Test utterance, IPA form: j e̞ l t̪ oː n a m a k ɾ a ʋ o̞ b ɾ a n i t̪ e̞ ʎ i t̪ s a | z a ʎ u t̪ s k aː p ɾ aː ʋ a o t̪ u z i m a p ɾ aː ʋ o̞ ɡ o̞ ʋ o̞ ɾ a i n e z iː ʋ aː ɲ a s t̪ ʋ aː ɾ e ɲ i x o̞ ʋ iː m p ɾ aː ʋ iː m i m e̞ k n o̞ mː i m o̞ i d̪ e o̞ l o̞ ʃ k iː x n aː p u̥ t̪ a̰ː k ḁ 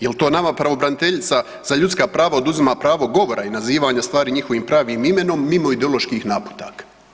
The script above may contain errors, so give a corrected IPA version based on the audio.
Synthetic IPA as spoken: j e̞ l t̪ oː n a m a p ɾ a ʋ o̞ b ɾ a n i t̪ e̞ ʎ i t̪ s a | z a ʎ u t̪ s k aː p ɾ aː ʋ a o d̪ u z i m a p ɾ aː ʋ o̞ ɡ o̞ ʋ o̞ ɾ a i n a z iː ʋ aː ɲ a s t̪ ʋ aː ɾ i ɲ i x o̞ ʋ iː m p ɾ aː ʋ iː m i m e̞ n o̞ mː i m o̞ i d̪ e o̞ l o̞ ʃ k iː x n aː p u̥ t̪ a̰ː k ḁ